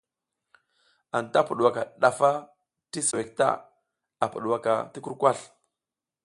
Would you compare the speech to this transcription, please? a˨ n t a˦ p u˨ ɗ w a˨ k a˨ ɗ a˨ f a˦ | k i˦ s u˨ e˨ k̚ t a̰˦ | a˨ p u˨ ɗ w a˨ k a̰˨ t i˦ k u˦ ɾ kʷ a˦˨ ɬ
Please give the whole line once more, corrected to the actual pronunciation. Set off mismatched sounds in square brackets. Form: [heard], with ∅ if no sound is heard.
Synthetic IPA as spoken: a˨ n t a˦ p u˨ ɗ w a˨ k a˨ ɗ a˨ f a˦ | [t] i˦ s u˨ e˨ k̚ t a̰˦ | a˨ p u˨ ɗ w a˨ k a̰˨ t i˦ k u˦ ɾ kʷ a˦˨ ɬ